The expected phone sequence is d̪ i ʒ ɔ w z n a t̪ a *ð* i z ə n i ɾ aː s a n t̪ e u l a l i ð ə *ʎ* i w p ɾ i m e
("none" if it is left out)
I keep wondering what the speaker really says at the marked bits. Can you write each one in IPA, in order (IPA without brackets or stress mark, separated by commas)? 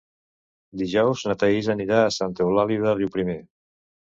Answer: none, r